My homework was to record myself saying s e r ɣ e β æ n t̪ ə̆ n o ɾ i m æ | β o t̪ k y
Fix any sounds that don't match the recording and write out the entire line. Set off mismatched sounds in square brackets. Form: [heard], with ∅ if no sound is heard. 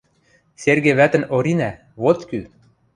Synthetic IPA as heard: s e r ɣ e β æ [∅] t̪ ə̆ n o ɾ i [n] æ | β o t̪ k y